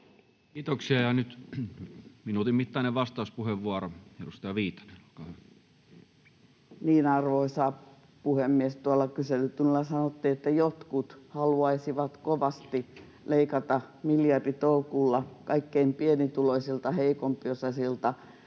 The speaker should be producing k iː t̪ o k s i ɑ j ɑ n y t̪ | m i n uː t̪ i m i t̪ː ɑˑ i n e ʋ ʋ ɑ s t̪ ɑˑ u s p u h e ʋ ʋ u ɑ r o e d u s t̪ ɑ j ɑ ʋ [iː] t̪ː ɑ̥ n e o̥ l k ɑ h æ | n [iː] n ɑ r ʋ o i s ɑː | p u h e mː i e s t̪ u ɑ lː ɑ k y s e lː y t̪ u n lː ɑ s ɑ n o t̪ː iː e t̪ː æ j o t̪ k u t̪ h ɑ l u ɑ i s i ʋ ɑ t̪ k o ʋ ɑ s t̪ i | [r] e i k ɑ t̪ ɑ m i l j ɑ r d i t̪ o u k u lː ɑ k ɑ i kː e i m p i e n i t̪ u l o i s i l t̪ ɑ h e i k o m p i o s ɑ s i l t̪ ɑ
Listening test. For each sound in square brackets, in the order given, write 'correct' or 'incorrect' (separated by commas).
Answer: correct, correct, incorrect